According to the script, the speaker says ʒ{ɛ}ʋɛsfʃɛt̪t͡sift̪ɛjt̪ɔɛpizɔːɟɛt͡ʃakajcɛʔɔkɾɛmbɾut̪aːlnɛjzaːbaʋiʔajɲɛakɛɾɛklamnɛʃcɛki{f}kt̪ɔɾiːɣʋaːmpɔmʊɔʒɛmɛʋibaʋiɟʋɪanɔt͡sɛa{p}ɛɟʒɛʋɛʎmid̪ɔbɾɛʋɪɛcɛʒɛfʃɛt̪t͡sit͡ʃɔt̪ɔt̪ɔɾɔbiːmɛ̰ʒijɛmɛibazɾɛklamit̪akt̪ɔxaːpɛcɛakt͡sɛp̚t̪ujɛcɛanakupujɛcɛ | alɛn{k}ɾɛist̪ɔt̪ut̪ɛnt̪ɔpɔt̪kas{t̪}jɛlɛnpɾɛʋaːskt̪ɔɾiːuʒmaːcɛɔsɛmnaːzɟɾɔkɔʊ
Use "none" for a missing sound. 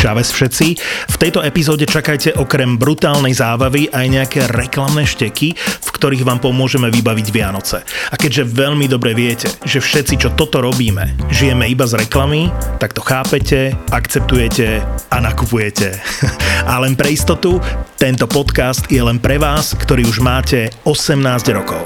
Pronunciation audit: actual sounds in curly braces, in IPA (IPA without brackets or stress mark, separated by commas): a, f, k, p, t̪